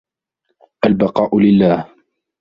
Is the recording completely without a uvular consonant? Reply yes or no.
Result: no